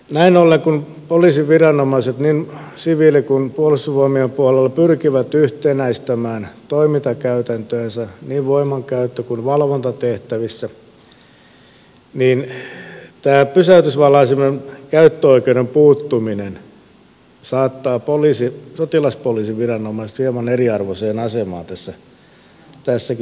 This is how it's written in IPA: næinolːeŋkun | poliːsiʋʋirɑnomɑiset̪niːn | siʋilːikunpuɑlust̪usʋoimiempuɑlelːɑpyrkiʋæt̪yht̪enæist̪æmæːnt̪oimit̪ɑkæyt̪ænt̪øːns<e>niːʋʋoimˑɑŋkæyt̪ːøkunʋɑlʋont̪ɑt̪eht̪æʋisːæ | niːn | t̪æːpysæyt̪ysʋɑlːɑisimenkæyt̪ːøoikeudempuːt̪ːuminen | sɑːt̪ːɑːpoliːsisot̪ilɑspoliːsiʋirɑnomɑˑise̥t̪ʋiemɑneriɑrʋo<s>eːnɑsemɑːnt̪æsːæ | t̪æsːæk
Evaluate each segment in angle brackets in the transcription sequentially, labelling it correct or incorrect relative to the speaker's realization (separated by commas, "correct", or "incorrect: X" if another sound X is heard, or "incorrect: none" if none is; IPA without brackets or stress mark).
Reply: incorrect: æ, correct